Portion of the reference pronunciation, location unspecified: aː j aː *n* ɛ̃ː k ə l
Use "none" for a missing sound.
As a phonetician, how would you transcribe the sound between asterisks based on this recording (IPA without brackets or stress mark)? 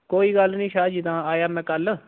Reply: m